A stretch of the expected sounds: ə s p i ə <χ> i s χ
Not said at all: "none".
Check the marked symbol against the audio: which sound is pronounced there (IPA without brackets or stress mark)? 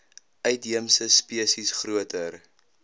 s